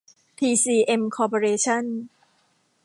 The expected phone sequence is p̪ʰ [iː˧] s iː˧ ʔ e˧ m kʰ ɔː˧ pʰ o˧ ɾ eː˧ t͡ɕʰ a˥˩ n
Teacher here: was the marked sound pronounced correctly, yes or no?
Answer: yes